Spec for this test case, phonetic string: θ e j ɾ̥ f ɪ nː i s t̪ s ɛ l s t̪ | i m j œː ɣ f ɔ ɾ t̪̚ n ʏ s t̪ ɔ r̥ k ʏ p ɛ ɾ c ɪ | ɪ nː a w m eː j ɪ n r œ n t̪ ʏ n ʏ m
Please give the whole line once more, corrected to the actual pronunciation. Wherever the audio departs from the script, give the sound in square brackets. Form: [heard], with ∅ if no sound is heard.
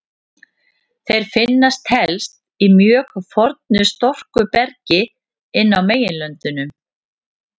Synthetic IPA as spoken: θ e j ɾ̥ f ɪ nː [a] s t̪ [h] ɛ l s t̪ | i m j œː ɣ f ɔ ɾ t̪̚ n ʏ s t̪ ɔ r̥ k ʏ p ɛ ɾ c ɪ | ɪ nː a w m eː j ɪ n [l] œ n t̪ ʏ n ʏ m